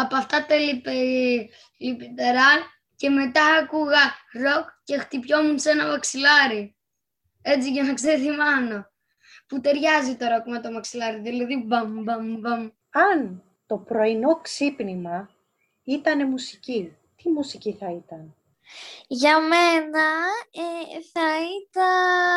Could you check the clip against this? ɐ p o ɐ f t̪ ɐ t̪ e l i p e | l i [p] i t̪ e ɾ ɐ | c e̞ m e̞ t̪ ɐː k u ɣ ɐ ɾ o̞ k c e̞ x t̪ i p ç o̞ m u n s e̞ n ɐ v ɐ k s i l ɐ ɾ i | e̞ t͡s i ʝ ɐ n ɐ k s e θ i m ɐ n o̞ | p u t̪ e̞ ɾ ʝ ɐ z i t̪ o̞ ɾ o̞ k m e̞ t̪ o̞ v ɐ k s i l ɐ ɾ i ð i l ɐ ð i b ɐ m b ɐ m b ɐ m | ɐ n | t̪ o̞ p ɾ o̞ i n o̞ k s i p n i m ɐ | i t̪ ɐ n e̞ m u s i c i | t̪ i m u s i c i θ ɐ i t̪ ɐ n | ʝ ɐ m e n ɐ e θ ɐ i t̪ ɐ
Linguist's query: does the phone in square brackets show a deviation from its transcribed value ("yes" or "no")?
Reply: no